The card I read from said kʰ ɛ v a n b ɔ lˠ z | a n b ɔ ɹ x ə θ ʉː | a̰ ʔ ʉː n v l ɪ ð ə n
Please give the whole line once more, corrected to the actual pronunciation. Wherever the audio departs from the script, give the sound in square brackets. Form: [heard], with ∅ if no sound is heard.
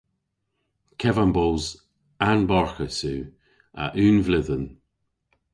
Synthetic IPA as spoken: kʰ ɛ v a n b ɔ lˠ z | a n b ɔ ɹ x ə [s] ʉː | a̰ ʔ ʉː n v l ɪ ð ə n